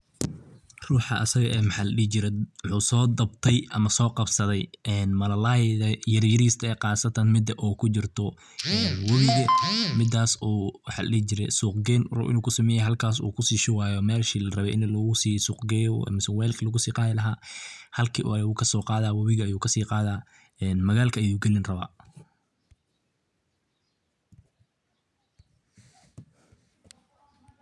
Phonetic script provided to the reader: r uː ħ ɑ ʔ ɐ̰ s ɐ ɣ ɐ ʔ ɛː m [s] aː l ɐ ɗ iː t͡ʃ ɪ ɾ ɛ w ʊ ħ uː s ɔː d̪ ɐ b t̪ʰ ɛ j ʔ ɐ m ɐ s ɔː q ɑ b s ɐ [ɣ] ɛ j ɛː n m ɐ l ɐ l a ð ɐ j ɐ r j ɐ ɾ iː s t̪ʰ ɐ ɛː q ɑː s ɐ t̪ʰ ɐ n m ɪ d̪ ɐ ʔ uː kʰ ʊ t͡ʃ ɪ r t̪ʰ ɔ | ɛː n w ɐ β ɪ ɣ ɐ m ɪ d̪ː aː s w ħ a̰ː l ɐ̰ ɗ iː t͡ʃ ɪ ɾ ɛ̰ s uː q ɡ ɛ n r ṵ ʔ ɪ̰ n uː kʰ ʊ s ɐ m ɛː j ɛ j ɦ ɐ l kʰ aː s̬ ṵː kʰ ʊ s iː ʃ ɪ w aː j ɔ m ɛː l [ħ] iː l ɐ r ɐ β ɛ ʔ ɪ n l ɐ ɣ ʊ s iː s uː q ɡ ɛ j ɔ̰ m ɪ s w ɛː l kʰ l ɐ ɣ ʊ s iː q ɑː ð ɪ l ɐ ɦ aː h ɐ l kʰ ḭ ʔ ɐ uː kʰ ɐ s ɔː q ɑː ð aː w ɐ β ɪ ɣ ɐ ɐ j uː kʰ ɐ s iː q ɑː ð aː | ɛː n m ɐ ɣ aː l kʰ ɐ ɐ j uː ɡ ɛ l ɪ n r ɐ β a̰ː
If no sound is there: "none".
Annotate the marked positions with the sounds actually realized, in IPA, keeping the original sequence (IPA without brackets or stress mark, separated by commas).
ħ, ð, ʃ